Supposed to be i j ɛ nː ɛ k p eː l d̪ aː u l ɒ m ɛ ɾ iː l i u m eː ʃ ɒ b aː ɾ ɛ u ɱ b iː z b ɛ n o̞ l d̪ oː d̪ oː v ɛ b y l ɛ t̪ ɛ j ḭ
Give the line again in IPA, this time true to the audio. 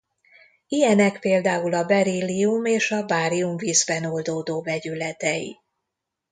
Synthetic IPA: i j ɛ n ɛ k p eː l d̪ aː u l ɒ b ɛ ɾ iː l i u m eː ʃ ɒ b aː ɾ i u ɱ v iː z b ɛ n o̞ l d̪ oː d̪ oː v ɛ ɟ y l ɛ t̪ ɛ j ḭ

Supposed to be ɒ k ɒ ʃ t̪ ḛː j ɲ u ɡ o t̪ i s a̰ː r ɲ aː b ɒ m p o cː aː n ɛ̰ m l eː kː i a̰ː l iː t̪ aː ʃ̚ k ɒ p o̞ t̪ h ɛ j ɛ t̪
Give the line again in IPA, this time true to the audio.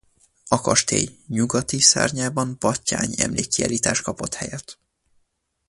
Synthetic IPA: ɒ k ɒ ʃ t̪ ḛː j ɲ u ɡ ɒ t̪ i s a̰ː r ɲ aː b ɒ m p ɒ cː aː ɲ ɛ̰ m l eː kː i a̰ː l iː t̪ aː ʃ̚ k ɒ p o̞ t̪ h ɛ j ɛ t̪

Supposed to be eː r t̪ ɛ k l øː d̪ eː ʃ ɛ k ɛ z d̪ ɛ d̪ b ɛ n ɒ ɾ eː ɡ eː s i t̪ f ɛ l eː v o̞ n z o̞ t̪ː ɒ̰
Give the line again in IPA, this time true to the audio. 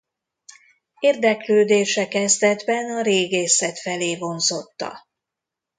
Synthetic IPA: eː r d̪ ɛ k l øː d̪ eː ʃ ɛ k ɛ z d̪ ɛ d̪ b ɛ n ɒ ɾ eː ɡ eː s ɛ t̪ f ɛ l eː v o̞ n z o̞ t̪ː ɒ̰

